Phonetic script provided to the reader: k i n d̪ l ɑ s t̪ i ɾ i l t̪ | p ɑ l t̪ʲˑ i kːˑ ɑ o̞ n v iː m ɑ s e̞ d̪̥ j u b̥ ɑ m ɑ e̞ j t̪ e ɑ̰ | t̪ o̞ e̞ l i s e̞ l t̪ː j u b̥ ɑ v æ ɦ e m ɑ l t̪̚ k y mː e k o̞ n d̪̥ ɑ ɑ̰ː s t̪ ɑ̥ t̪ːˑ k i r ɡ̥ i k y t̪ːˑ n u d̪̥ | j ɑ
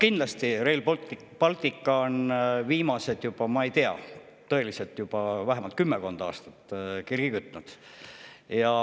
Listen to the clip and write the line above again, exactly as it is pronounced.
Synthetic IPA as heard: k i n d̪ l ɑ s t̪ i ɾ e l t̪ | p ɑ l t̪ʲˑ i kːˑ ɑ o̞ n v iː m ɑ s e̞ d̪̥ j u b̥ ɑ m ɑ e̞ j t̪ e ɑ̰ | t̪ ɤ̞ e̞ l i s e̞ l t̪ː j u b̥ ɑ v æ ɦ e m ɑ l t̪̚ k y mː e k o̞ n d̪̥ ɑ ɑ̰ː s t̪ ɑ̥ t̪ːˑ k i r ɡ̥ i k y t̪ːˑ n u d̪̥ | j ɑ